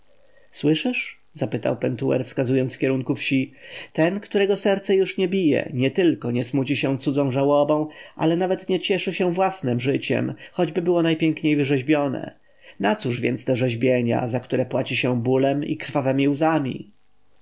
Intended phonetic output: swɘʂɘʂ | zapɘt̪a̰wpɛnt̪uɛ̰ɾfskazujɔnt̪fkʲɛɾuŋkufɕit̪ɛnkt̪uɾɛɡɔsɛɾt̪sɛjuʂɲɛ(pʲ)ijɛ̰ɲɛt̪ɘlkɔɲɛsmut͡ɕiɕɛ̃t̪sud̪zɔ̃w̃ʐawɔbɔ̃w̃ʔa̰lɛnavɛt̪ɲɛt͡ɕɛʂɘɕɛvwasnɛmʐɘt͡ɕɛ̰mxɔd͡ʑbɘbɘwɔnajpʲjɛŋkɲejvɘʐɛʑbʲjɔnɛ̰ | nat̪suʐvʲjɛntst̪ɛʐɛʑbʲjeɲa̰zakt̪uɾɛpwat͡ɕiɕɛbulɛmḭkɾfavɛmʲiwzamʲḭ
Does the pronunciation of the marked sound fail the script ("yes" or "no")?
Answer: yes